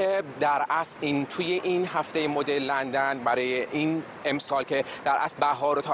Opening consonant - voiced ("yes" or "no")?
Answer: yes